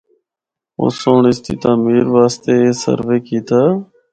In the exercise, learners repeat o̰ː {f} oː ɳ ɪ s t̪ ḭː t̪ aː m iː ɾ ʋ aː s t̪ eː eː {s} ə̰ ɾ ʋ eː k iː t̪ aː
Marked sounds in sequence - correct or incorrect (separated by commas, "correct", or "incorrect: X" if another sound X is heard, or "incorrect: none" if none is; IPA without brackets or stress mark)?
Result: incorrect: s, correct